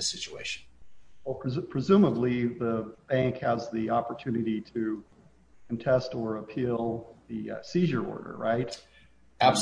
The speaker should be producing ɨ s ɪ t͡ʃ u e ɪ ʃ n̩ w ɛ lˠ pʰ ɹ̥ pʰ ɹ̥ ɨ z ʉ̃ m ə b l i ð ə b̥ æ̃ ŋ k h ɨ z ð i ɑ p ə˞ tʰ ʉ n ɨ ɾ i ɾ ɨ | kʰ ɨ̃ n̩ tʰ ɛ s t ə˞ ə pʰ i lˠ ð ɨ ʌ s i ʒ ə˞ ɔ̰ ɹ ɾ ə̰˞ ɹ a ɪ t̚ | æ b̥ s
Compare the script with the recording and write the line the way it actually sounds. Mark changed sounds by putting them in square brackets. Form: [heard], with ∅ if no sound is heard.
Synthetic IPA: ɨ s ɪ t͡ʃ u e ɪ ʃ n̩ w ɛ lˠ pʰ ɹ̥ pʰ ɹ̥ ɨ z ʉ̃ m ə b l i ð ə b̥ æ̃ ŋ k h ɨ z ð i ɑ p ə˞ tʰ ʉ n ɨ ɾ i ɾ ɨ | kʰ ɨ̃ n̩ tʰ ɛ s t ə˞ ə pʰ i lˠ ð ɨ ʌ s i ʒ ə˞ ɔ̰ ɹ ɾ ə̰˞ ɹ a ɪ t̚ | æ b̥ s